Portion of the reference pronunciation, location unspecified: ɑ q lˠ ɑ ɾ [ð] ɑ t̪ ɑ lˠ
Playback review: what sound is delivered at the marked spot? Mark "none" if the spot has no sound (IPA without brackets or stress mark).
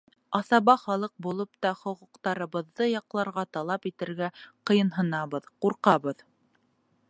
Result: ʁ